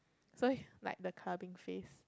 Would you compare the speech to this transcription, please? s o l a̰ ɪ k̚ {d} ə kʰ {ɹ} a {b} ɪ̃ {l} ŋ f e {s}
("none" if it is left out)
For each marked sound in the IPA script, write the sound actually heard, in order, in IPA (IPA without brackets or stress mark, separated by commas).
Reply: d, l, b, none, s